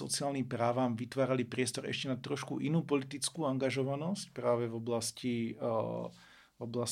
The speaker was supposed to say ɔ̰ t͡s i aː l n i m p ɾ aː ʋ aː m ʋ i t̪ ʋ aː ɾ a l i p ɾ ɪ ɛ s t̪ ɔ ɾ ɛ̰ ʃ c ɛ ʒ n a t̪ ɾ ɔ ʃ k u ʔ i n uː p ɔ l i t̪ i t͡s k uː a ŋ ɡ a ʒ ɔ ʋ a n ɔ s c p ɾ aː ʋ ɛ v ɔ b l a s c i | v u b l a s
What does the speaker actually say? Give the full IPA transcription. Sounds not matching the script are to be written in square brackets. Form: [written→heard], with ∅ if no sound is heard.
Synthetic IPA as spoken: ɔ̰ t͡s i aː l n i m p ɾ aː ʋ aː m ʋ i t̪ ʋ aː ɾ a l i p ɾ ɪ ɛ s t̪ ɔ ɾ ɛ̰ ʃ c ɛ [ʒ→∅] n a t̪ ɾ ɔ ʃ k u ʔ i n uː p ɔ l i t̪ i t͡s k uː a ŋ ɡ a ʒ ɔ ʋ a n ɔ s c p ɾ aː ʋ ɛ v ɔ b l a s c i | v [u→ɔ] b l a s